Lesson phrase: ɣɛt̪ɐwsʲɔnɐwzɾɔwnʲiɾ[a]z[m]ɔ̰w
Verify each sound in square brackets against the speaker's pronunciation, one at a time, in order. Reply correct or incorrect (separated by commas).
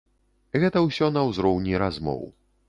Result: correct, correct